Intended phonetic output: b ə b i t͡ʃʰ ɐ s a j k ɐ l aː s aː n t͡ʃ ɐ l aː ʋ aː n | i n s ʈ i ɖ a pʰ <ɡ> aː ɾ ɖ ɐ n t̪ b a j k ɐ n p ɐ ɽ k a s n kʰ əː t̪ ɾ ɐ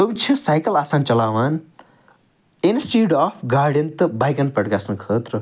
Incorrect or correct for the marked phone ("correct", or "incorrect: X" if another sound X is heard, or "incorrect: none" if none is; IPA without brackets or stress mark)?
correct